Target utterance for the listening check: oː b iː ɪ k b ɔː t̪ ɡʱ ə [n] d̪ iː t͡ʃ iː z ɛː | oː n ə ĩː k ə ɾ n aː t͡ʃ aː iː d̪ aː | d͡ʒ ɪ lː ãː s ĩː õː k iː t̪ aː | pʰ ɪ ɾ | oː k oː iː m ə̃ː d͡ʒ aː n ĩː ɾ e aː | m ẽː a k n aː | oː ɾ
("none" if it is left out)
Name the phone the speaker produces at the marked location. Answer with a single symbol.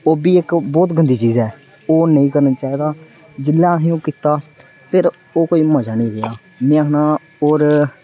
n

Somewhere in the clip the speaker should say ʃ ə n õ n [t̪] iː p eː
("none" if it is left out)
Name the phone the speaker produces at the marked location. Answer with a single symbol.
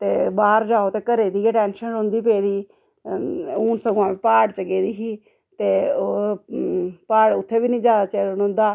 d̪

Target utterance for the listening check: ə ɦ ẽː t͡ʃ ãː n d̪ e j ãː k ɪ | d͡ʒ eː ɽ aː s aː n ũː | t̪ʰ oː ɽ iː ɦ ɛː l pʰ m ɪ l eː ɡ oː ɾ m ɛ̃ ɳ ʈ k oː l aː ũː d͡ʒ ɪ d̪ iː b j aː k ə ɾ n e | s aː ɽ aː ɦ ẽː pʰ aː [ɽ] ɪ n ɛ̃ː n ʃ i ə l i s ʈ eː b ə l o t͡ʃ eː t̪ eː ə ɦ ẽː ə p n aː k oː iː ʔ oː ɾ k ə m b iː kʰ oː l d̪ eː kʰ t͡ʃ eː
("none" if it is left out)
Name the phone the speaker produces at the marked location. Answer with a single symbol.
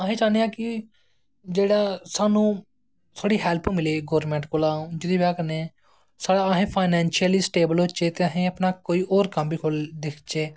none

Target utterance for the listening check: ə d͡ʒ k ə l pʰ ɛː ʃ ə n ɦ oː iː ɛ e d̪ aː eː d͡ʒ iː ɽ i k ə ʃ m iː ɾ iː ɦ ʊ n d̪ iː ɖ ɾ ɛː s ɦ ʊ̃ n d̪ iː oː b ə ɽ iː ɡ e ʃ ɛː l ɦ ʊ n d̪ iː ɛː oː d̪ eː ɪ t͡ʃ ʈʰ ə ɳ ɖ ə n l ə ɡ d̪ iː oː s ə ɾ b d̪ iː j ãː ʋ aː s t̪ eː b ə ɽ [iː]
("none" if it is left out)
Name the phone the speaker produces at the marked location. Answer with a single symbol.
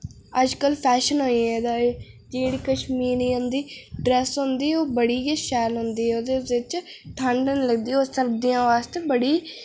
iː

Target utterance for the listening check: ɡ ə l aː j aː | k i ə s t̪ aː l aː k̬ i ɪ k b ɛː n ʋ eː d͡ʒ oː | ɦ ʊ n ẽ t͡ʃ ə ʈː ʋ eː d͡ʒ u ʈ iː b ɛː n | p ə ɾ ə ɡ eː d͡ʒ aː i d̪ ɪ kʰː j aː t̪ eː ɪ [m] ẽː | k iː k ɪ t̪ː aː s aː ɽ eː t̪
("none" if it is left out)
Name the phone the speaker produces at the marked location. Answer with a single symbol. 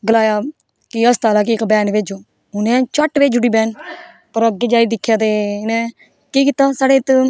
n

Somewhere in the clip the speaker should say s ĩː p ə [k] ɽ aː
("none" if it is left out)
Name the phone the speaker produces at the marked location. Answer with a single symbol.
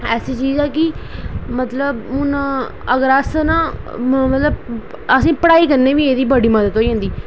none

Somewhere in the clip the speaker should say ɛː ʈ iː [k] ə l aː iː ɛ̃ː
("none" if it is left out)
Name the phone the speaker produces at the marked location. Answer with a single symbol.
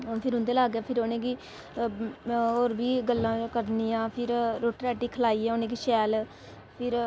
kʰ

